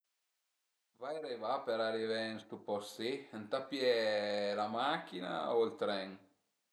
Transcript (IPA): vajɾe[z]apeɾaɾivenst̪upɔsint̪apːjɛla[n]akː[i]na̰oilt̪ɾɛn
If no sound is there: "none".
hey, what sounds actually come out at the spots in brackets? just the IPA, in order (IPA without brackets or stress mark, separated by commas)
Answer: v, m, i